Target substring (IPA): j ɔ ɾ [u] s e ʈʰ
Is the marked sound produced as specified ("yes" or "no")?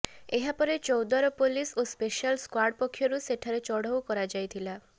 yes